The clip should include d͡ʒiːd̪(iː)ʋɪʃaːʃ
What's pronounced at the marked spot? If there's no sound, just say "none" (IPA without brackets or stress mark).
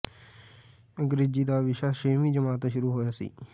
aː